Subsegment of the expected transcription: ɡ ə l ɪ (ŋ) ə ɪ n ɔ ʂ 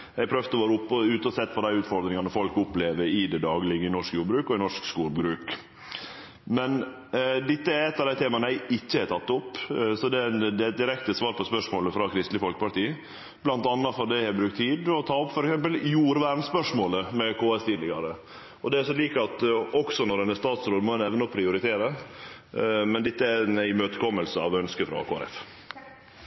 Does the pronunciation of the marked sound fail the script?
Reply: yes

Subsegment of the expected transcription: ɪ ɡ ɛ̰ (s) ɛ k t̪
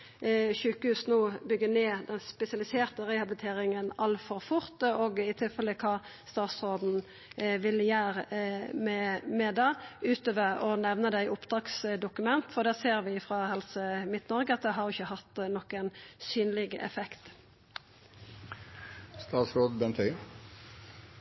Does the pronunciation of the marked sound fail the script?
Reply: yes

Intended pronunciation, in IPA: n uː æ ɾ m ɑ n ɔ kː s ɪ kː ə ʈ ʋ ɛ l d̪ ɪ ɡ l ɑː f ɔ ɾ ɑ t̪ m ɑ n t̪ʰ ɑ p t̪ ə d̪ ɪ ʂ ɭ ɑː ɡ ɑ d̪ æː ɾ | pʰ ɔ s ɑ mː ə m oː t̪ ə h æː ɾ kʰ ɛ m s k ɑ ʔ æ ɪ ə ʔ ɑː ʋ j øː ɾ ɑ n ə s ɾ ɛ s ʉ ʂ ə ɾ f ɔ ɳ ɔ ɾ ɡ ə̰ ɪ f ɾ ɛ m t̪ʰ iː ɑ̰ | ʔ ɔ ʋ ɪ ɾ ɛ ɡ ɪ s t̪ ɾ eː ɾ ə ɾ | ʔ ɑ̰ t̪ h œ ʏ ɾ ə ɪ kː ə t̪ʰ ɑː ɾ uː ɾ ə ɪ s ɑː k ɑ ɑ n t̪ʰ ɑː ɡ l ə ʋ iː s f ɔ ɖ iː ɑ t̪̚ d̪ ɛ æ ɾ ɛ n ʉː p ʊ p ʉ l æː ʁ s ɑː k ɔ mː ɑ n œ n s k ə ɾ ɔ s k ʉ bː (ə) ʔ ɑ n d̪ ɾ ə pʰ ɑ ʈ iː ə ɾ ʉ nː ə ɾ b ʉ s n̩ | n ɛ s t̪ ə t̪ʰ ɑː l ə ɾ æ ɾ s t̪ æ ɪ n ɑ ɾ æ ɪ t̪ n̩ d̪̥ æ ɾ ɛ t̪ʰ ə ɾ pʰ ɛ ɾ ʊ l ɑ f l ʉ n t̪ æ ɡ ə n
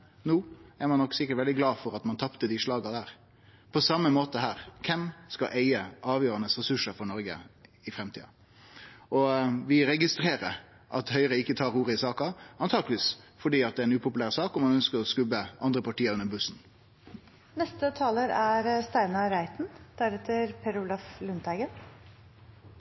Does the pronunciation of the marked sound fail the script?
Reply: no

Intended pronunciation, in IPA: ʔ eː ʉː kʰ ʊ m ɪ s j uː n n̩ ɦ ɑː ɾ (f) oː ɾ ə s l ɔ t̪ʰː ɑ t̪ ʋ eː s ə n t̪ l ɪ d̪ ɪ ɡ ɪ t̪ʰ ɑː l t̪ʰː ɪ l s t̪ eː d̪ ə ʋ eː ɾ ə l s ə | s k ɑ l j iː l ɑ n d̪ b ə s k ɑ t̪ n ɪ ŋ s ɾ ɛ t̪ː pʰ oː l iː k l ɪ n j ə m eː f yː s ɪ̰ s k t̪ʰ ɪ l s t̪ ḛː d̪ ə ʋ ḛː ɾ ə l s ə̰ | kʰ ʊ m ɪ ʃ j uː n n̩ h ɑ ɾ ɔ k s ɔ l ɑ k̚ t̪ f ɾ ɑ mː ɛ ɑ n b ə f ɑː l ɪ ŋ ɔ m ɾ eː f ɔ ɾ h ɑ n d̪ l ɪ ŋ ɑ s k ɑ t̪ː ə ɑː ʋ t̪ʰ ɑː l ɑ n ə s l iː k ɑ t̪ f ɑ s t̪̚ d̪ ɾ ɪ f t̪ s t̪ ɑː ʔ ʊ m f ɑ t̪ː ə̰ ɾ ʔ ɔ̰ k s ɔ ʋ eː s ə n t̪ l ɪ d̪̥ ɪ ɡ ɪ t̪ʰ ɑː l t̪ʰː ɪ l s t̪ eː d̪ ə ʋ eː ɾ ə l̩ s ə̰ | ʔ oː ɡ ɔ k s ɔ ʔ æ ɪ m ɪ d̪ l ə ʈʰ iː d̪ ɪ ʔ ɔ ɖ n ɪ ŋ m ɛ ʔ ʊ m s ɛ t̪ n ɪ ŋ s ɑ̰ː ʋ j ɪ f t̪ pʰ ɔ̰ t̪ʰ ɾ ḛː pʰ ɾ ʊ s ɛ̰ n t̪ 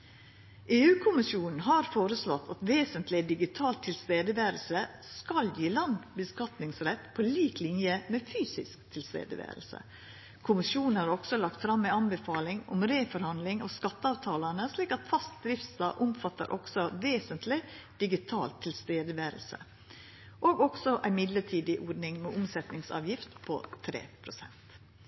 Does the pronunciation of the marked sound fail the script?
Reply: no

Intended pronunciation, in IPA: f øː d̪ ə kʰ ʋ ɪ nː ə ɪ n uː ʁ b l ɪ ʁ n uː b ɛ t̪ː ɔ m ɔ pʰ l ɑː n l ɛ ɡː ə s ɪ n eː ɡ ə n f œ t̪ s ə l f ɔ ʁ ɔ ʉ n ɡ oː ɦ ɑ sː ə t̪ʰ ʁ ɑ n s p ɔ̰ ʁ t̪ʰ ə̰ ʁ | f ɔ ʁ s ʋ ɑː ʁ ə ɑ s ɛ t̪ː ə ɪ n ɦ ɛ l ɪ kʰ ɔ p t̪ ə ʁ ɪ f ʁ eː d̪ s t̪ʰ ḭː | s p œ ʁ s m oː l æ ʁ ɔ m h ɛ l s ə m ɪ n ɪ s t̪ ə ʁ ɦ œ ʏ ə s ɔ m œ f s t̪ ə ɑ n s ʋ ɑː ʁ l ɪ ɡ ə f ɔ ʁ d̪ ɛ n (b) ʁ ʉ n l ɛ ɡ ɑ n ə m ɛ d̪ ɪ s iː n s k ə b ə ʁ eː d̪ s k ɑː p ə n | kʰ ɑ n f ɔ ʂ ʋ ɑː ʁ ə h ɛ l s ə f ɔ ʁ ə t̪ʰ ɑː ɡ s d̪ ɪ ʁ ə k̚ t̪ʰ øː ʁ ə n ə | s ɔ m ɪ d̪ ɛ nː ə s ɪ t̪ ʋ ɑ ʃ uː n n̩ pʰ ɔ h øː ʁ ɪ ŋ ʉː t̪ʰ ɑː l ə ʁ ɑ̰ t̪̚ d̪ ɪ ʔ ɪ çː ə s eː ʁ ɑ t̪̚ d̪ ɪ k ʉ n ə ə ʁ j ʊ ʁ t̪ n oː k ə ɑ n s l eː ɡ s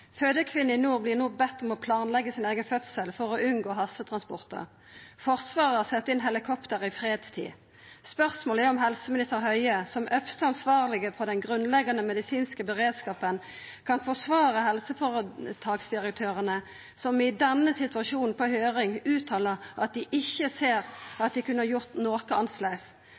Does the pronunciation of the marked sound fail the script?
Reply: yes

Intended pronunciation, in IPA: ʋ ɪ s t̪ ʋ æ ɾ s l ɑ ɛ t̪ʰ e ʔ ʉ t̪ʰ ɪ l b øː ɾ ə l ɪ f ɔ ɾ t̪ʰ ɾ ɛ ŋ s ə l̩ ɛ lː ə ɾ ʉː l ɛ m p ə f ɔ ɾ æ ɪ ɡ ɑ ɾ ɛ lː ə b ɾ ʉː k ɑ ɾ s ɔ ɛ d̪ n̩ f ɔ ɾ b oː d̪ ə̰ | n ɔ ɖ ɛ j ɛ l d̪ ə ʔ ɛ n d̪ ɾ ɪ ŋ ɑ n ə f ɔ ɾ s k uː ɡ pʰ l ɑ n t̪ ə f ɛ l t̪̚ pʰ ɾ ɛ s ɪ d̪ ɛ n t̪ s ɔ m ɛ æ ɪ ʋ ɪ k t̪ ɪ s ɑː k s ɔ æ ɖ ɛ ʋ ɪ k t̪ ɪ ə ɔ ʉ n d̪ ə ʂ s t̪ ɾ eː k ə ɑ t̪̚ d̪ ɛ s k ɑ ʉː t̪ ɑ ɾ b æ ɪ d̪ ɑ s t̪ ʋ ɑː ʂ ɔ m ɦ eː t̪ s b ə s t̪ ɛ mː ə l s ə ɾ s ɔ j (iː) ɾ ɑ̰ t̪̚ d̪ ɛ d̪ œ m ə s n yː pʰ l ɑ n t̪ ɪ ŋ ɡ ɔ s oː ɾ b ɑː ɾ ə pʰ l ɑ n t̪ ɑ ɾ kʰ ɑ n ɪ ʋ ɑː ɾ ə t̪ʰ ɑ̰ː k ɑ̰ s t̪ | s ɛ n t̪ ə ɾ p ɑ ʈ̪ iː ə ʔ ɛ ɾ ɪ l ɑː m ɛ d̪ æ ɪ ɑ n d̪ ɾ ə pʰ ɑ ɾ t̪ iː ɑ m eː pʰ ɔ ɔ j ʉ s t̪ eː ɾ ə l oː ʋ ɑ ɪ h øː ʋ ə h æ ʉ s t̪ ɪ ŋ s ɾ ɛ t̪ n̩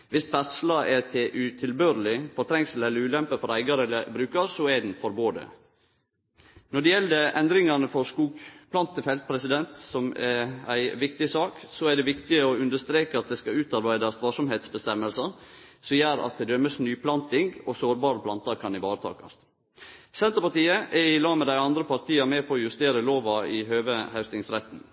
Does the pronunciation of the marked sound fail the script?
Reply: yes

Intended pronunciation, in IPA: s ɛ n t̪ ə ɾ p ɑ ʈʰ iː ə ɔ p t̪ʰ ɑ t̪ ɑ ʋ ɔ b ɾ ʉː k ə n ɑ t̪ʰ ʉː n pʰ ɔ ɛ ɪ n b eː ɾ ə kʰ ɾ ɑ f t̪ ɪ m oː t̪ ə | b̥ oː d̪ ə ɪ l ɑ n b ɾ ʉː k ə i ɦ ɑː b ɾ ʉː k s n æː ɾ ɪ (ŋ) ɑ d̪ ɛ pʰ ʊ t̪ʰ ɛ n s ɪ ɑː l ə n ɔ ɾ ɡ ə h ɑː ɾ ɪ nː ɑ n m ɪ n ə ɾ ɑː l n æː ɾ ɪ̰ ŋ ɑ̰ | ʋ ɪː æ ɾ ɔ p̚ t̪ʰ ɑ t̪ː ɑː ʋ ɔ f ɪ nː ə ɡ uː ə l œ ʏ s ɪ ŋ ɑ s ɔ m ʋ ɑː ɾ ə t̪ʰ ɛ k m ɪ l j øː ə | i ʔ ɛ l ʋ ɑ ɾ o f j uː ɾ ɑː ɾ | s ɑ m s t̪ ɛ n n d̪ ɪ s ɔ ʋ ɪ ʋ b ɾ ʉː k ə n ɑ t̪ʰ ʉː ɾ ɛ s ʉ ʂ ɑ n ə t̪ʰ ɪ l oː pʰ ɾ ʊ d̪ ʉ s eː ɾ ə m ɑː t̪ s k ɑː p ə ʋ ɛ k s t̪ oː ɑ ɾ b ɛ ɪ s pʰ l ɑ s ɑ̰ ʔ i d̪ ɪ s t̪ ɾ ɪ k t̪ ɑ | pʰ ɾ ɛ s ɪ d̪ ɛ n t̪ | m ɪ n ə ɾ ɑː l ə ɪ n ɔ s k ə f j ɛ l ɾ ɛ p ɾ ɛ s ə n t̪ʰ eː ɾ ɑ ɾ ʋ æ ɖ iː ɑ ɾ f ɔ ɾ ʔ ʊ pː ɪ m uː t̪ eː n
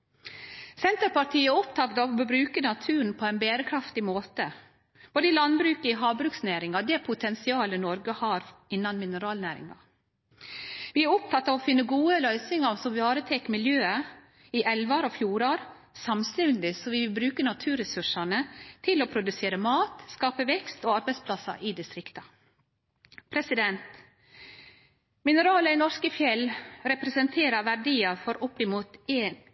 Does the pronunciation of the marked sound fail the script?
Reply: no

